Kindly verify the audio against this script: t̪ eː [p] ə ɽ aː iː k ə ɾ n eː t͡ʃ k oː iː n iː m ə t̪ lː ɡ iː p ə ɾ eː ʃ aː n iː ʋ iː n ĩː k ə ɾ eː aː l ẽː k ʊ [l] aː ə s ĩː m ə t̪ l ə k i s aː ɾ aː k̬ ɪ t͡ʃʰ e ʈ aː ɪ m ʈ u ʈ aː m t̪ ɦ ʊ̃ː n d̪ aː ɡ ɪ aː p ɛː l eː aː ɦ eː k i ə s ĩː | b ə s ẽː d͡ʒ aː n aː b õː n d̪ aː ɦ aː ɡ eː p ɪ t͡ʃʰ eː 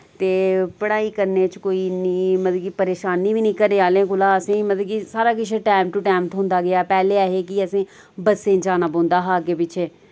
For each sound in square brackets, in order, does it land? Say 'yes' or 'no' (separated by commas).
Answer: yes, yes